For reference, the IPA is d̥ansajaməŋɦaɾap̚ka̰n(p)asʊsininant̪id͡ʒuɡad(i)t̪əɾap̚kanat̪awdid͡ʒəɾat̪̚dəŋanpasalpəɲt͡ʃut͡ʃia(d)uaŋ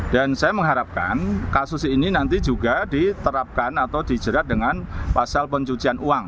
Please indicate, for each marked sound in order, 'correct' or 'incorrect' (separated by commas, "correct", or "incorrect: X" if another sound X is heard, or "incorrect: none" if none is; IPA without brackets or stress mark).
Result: incorrect: k, correct, incorrect: n